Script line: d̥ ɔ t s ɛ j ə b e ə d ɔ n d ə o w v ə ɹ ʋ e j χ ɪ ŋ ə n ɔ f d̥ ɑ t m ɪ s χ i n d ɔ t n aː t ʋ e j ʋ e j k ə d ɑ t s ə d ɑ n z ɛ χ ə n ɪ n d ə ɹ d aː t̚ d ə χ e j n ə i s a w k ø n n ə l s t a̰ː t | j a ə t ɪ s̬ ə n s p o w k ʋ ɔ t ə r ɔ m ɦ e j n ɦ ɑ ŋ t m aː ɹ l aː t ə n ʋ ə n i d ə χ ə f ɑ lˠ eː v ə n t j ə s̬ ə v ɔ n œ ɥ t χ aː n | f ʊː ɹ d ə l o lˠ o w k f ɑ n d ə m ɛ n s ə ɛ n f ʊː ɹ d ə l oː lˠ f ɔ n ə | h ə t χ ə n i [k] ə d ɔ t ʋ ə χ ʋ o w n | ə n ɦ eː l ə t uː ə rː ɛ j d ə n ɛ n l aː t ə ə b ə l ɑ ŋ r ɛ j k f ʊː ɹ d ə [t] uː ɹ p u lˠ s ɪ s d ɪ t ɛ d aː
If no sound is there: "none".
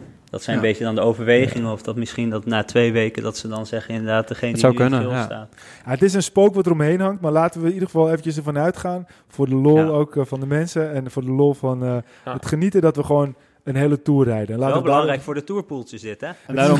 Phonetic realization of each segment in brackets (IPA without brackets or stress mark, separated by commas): t, t